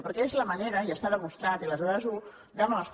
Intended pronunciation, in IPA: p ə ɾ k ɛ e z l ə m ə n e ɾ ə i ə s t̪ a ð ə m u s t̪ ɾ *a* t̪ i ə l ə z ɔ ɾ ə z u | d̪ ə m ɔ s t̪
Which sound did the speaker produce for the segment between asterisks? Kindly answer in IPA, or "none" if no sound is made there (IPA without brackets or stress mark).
a